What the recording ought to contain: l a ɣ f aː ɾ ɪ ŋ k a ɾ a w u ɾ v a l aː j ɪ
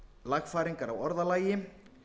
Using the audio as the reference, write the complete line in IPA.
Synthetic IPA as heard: l a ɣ f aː ɾ i ŋ k a ɾ a w ɔ ɾ ð a l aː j ɪ